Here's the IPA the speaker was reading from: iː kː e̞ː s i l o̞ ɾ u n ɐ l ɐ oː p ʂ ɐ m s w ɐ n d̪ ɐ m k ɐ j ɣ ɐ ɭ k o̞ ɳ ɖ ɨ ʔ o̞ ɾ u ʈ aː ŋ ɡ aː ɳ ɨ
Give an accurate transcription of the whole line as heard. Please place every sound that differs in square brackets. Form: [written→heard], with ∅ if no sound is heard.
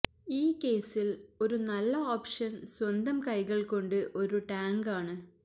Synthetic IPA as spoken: iː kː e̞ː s i l o̞ ɾ u n ɐ [l→lː] ɐ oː p ʂ ɐ [m→n] s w ɐ n d̪ ɐ m k ɐ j ɣ ɐ ɭ k o̞ ɳ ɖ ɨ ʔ o̞ ɾ u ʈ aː ŋ ɡ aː ɳ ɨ